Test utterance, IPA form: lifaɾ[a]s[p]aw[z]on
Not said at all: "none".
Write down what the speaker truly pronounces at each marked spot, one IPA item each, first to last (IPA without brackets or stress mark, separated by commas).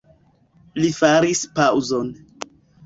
i, p, z